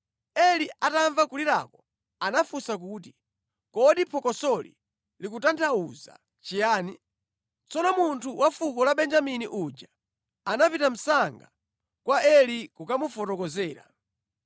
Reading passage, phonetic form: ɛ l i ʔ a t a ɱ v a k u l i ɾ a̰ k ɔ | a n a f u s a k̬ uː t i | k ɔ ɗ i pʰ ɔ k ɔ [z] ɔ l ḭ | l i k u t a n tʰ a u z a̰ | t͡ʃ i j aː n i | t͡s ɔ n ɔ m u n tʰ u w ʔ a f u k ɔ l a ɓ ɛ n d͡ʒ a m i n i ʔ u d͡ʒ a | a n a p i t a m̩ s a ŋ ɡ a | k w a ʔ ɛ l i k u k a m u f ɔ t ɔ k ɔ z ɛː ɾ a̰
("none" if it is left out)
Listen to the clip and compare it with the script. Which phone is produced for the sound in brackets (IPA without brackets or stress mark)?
s